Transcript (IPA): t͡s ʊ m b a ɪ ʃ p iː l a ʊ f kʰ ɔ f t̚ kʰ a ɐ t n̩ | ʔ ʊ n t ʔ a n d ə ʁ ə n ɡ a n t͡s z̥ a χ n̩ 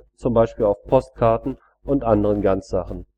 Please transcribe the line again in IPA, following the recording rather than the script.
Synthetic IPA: t͡s ʊ m b a ɪ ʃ p iː l a ʊ f pʰ ɔ s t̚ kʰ a ɐ t n̩ | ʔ ʊ n t ʔ a n d ə ʁ ə n ɡ a n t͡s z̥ a χ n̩

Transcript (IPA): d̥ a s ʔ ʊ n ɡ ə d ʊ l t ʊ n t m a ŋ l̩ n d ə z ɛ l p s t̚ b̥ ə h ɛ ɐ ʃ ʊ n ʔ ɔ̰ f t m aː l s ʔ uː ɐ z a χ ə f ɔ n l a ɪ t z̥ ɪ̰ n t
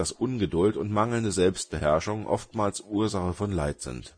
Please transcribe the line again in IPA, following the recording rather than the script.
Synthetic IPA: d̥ a s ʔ ʊ n ɡ ə d ʊ l t ʊ n t m a ŋ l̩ n d ə z ɛ l p s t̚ b̥ ə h ɛ ɐ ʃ ʊ ŋ ʔ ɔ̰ f t m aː l s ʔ uː ɐ z a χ ə f ɔ n l a ɪ t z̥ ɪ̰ n t

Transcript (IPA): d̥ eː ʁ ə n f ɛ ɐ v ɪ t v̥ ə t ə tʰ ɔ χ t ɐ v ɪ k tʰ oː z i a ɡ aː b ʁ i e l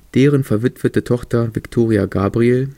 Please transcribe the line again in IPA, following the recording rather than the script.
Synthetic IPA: d̥ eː ʁ ə n f ɛ ɐ v ɪ t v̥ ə t ə tʰ ɔ χ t ɐ v ɪ k tʰ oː ʁ i a ɡ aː b ʁ i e l

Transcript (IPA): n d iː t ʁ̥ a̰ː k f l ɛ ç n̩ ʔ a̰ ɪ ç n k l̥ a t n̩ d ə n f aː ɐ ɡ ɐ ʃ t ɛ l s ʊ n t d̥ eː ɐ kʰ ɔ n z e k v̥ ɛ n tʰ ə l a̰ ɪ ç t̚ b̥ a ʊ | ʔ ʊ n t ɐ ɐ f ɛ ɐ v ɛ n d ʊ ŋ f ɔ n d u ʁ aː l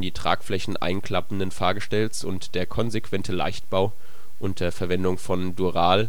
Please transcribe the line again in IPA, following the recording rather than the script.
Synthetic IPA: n d iː t ʁ̥ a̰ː k f l ɛ ç n̩ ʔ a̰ ɪ n k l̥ a p n̩ d ə n f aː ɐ ɡ ə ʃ t ɛ l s ʊ n t d̥ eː ɐ kʰ ɔ n z e k v̥ ɛ n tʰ ə l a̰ ɪ ç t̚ b̥ a ʊ | ʔ ʊ n t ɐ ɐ f ɛ ɐ v ɛ n d ʊ ŋ f ɔ n d u ʁ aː l

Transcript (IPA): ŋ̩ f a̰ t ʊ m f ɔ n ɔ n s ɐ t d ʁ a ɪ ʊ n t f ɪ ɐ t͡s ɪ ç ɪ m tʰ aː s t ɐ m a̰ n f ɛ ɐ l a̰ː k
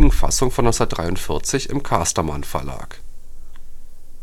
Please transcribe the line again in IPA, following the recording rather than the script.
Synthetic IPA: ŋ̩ f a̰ s ʊ ŋ f ɔ n ɔ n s ɐ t d ʁ a ɪ ʊ n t f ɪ ɐ t͡s ɪ ç ɪ m kʰ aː s t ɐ m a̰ n f ɛ ɐ l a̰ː k

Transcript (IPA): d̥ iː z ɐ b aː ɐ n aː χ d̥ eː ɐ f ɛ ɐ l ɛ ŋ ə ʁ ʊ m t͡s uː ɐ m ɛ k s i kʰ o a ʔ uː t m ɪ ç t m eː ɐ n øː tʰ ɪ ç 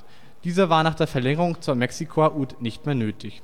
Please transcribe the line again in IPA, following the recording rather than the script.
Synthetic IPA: d̥ iː z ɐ v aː ɐ n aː χ d̥ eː ɐ f ɛ ɐ l ɛ ŋ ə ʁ ʊ ŋ t͡s uː ɐ m ɛ k s i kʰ o a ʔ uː t n ɪ ç t m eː ɐ n øː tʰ ɪ ç

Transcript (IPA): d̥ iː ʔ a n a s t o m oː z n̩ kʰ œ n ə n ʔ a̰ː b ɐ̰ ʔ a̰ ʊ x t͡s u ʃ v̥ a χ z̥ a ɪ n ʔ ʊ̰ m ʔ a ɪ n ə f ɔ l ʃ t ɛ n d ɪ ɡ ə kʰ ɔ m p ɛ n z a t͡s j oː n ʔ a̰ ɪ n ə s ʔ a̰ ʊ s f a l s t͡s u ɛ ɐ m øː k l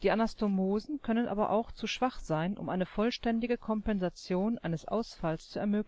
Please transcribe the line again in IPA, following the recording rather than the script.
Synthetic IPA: d̥ iː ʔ a n a s t o m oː z n̩ kʰ œ n ə n ʔ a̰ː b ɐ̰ ʔ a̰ ʊ x t͡s u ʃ v̥ a χ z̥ a ɪ n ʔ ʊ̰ m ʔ a ɪ n ə f ɔ l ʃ t ɛ n d ɪ ɡ ə kʰ ɔ m p ɛ n z a t͡s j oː n ʔ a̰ ɪ n ə s ʔ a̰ ʊ s f a l s t͡s u ɛ ɐ m øː k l

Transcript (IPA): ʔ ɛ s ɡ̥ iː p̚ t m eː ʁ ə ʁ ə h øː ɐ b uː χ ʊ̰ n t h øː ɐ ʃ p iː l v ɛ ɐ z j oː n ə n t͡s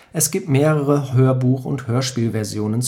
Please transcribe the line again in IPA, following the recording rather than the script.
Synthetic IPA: ʔ ɛ s ɡ̥ iː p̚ t m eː ʁ ə ʁ ə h øː ɐ b uː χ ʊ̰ n t h øː ɐ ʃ p iː l v ɛ ɐ z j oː n ə n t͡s

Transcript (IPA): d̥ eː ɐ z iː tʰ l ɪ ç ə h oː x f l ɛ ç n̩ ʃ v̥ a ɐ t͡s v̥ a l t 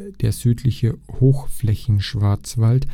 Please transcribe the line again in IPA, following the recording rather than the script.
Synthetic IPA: d̥ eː ɐ z yː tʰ l ɪ ç ə h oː x f l ɛ ç n̩ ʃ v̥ a ɐ t͡s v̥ a l t

